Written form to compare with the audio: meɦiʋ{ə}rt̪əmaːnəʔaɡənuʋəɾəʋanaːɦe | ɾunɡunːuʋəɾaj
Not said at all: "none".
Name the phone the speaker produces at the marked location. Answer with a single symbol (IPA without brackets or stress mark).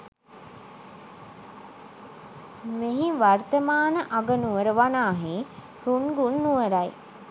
a